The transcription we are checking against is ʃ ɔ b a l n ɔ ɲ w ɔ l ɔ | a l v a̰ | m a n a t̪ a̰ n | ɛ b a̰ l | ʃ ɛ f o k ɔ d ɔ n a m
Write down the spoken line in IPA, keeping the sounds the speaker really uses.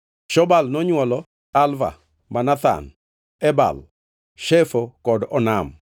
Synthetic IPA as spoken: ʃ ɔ b a l n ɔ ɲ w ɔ l ɔ | a l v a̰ | m a n a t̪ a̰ n | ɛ b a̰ l | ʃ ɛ f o k ɔ d ɔ n a m